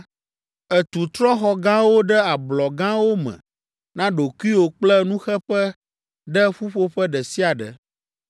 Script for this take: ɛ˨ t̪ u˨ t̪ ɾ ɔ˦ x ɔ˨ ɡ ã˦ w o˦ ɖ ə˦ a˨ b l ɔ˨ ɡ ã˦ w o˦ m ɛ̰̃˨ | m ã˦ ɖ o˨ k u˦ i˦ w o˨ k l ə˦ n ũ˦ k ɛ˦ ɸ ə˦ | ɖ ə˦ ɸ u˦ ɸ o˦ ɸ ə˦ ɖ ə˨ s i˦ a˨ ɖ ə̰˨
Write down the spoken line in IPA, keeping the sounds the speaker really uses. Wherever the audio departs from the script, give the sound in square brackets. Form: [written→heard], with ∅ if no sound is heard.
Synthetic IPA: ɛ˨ t̪ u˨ t̪ ɾ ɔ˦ x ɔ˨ ɡ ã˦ w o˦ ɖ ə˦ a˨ b l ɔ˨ ɡ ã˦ w o˦ m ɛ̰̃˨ | [m→n] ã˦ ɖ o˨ k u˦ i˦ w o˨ [k→k͡p] l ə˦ n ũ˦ [k→x] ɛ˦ ɸ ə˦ | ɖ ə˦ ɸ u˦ ɸ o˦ ɸ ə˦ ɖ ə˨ s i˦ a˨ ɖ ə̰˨